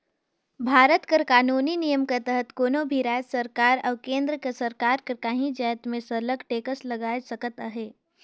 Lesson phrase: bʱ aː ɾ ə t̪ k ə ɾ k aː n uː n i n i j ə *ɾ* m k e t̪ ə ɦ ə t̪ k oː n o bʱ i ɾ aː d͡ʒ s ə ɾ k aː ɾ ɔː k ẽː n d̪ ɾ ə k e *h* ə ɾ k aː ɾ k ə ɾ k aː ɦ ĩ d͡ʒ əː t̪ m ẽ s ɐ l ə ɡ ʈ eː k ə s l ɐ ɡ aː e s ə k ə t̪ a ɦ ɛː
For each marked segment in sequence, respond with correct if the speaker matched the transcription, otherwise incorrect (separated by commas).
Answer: incorrect, incorrect